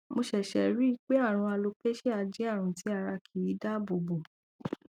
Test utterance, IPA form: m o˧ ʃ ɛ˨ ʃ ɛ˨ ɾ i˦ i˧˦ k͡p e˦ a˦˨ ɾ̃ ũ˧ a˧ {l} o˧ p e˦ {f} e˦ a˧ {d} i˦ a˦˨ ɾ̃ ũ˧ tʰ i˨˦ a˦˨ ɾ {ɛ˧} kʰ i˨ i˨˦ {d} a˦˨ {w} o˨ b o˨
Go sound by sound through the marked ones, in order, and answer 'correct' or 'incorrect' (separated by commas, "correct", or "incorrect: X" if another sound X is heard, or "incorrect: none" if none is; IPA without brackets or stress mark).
correct, incorrect: ʃ, incorrect: d͡ʒ, incorrect: a˧, correct, incorrect: b